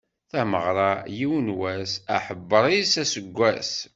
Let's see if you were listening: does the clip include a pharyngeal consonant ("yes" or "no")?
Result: yes